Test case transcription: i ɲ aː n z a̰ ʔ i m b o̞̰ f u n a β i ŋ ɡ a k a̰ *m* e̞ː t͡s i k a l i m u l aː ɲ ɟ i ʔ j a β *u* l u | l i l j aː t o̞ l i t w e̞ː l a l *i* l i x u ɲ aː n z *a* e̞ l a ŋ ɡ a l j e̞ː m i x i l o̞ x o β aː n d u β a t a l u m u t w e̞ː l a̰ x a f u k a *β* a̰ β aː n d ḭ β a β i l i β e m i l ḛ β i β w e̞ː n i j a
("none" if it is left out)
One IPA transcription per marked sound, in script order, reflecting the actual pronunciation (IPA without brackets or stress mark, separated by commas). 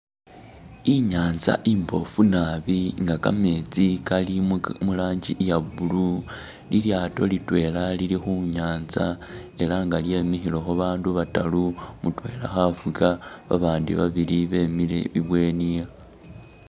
m, u, i, a, β